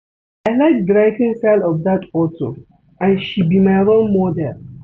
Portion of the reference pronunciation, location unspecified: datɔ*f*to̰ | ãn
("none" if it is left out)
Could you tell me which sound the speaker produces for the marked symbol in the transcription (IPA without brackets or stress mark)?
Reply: none